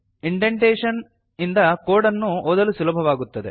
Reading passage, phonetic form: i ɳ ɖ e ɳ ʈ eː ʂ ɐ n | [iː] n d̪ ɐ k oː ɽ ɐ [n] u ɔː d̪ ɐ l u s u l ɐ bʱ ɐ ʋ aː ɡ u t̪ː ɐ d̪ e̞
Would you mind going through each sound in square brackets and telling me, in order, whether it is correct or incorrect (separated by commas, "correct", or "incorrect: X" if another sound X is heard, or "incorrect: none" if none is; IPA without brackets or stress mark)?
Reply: incorrect: i, incorrect: nː